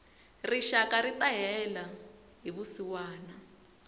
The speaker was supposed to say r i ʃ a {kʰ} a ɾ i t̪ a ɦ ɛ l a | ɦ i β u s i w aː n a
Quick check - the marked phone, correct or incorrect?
incorrect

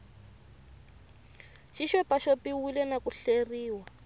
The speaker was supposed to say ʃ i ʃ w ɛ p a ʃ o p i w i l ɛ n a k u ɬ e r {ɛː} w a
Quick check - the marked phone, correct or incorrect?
incorrect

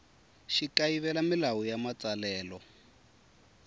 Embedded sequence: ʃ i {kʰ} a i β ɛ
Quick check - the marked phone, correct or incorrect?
incorrect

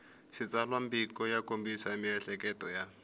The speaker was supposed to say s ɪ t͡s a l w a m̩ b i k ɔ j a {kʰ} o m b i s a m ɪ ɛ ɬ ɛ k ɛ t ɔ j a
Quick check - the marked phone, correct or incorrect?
incorrect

